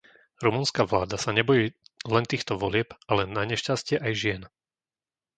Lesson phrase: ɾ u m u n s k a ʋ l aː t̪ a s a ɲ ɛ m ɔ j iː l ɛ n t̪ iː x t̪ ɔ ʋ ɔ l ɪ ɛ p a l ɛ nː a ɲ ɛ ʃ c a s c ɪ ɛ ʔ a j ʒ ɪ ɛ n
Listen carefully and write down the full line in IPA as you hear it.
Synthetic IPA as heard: ɾ u m u n s k a ʋ l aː d̪ a s a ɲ ɛ b ɔ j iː l ɛ n t̪ iː x t̪ ɔ ʋ ɔ l ɪ ɛ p a l ɛ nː a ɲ ɛ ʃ c a s c ɪ ɛ ʔ a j ʒ ɪ ɛ n